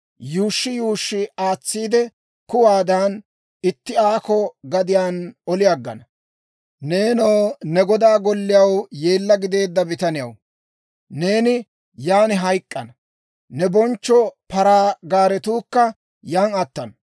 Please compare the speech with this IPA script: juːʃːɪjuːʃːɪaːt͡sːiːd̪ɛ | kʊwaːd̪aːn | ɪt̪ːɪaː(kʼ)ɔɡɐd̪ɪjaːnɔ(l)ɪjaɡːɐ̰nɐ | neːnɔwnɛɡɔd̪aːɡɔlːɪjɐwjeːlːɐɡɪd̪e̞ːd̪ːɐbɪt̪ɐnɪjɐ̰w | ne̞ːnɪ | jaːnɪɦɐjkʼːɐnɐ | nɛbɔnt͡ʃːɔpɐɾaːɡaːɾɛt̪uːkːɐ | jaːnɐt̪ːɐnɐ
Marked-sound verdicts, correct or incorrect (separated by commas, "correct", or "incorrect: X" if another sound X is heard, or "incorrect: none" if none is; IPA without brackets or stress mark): incorrect: k, correct